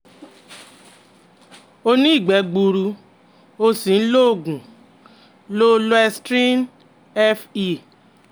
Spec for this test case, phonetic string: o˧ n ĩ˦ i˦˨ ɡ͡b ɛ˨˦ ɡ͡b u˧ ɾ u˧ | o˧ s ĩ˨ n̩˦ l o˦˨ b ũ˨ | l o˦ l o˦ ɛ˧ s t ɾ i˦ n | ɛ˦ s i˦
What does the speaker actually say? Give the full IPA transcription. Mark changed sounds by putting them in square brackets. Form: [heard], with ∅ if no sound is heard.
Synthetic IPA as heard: o˧ n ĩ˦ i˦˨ ɡ͡b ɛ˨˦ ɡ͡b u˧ ɾ u˧ | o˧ s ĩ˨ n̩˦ l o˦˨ [ɡ] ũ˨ | l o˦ l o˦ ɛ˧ s t ɾ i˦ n | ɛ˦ [f] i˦